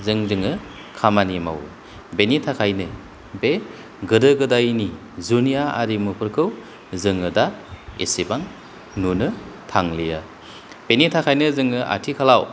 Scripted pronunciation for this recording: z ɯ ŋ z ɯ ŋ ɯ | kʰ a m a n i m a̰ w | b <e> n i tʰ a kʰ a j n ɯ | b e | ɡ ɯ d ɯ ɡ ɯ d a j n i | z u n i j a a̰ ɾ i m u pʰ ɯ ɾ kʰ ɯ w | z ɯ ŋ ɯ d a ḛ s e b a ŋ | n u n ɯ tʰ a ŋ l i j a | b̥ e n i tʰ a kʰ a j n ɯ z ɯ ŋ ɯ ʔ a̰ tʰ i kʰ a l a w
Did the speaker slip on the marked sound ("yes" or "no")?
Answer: no